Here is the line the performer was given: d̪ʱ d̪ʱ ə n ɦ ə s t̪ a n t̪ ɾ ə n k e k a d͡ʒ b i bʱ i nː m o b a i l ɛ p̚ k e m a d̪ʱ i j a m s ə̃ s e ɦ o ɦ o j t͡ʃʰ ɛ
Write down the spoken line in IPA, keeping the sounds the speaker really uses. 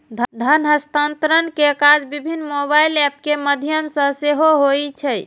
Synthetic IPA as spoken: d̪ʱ d̪ʱ ə n ɦ ə s t̪ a n t̪ ɾ ə n k e k a d͡ʒ b i bʱ i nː m o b a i l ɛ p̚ k e m ə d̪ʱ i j ə m s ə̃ s e ɦ o ɦ o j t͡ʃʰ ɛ